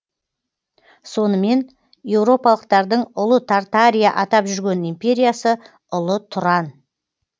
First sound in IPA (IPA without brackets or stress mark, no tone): s